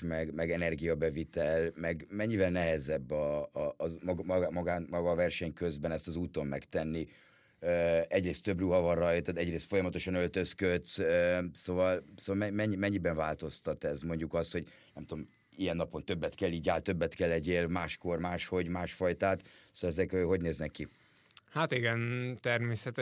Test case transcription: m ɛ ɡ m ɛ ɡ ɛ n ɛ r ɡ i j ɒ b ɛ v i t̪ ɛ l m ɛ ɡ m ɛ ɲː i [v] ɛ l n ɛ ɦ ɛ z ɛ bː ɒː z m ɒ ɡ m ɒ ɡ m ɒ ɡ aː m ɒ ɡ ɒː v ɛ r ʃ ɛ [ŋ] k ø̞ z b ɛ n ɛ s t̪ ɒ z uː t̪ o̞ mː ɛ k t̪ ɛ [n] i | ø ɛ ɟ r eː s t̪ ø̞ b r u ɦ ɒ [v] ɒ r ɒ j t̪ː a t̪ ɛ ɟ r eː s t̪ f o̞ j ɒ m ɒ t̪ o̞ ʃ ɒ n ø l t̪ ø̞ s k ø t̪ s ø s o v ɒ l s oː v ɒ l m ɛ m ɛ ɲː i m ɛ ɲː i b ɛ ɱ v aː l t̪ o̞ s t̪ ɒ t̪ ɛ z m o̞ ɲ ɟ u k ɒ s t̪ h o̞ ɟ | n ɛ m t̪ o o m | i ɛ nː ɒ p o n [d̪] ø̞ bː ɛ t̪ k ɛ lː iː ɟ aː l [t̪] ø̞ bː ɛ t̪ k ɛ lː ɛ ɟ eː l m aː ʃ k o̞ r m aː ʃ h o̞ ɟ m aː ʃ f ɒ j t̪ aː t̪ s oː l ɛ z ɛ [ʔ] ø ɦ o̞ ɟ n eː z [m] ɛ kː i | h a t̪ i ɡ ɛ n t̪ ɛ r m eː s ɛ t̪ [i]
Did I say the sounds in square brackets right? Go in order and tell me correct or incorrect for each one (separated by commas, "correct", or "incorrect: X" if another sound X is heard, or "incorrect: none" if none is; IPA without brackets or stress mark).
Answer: correct, incorrect: ɲ, incorrect: nː, correct, incorrect: t̪, correct, incorrect: k, incorrect: n, incorrect: ɛ